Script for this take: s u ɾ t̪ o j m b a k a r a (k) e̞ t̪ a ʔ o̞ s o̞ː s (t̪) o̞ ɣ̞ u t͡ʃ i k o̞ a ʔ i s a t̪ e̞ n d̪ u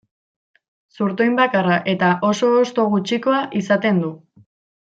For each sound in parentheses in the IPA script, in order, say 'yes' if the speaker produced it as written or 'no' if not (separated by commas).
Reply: no, yes